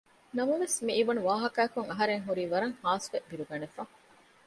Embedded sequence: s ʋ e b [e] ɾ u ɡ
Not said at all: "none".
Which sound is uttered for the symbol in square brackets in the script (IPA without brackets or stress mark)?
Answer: i